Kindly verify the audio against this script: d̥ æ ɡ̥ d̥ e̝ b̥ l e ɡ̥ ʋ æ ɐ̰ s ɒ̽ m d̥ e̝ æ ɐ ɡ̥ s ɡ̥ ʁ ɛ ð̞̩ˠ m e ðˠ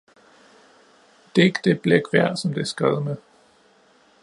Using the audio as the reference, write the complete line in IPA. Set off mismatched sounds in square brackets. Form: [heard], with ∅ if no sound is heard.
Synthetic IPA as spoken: d̥ [e] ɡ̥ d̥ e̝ b̥ l e ɡ̥ ʋ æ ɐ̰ s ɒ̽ m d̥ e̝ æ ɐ [∅] s ɡ̥ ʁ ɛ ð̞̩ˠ m e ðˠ